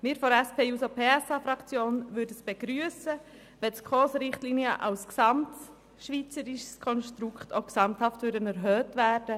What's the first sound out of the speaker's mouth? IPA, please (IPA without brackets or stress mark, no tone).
m